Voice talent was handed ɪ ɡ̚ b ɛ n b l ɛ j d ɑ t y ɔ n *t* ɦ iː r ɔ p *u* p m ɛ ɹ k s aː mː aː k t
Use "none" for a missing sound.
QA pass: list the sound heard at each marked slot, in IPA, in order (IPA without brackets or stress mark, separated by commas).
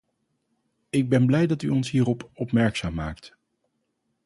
s, ɔ